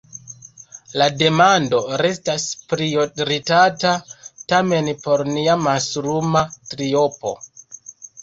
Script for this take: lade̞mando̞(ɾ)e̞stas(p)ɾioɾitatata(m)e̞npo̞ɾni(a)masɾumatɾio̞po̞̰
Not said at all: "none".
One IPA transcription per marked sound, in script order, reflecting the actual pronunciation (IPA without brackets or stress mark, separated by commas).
ɾ, p, m, a